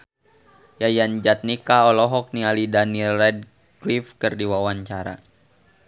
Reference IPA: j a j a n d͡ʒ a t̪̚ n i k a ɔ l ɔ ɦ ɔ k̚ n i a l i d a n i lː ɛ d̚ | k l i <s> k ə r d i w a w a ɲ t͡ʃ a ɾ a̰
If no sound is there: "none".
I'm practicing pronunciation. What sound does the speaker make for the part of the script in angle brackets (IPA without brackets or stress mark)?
f